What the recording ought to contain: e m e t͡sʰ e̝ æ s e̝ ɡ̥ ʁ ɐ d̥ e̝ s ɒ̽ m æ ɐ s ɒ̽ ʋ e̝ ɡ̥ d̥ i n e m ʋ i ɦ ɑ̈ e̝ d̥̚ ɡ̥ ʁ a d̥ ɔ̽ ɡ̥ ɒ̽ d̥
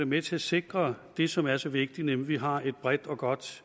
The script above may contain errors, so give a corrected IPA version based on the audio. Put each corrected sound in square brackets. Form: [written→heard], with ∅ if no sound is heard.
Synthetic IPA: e m e t͡sʰ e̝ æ s e̝ ɡ̥ ʁ ɐ d̥ e̝ s ɒ̽ m æ ɐ s ɒ̽ ʋ e̝ ɡ̥ d̥ i n e m ʋ i ɦ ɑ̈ e̝ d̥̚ [ɡ̥→b̥] ʁ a d̥ [ɔ̽→ɒ̽] ɡ̥ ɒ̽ d̥